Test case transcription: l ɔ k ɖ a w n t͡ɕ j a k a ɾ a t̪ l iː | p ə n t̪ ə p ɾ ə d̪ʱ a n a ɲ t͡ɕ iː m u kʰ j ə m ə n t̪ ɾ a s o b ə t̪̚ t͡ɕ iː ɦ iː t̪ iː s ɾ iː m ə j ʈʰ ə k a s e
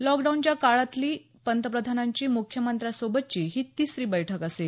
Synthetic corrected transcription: l ɔ k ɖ a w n t͡ɕ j a k a ɭ a t̪ l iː | p ə n t̪ ə p ɾ ə d̪ʱ a n a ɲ t͡ɕ iː m u kʰ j ə m ə n t̪ ɾ a s o b ə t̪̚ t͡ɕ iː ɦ iː t̪ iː s ɾ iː b ə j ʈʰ ə k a s e